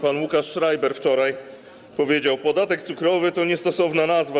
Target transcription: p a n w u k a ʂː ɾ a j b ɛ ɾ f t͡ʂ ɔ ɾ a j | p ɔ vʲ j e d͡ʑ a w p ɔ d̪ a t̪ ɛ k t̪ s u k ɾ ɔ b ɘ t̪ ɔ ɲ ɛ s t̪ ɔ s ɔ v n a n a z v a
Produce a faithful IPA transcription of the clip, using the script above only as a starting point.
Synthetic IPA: p a n w u k a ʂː ɾ a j b ɛ ɾ f t͡ʂ ɔ ɾ a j | p ɔ vʲ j e d͡ʑ a w p ɔ d̪ a t̪ ɛ k t̪ s u k ɾ ɔ v ɘ t̪ ɔ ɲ ɛ s t̪ ɔ s ɔ v n a n a z v a